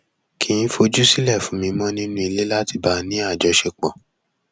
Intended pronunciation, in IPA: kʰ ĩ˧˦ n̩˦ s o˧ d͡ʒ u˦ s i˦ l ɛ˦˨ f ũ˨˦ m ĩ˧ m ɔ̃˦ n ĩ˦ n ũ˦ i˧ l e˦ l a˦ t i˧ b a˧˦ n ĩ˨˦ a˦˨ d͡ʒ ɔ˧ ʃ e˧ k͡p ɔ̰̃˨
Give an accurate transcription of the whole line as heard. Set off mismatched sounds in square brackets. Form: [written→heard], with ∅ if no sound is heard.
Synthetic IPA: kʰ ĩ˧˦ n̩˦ [s→f] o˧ d͡ʒ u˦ s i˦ l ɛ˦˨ f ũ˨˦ m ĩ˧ m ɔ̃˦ n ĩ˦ n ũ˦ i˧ l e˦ l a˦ t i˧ b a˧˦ n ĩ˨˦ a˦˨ d͡ʒ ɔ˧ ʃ e˧ k͡p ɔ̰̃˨